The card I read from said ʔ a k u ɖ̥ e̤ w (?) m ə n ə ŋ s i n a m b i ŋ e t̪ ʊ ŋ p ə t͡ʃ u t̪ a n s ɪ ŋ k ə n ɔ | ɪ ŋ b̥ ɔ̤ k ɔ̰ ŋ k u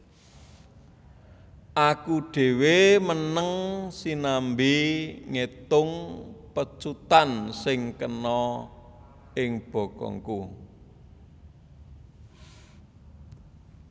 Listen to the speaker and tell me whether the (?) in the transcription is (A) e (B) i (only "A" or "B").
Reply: A